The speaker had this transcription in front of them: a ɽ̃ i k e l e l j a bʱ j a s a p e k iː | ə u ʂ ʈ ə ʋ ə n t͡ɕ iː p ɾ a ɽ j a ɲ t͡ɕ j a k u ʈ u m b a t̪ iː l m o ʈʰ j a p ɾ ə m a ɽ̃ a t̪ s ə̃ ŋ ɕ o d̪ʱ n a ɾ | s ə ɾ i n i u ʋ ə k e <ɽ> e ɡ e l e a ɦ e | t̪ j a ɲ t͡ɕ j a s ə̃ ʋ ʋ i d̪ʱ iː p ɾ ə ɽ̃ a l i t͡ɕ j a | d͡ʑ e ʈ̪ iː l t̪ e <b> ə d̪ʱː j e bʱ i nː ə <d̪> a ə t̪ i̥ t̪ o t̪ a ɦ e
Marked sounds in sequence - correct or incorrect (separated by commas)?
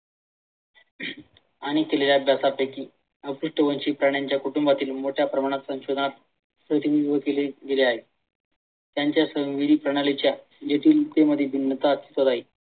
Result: incorrect, incorrect, incorrect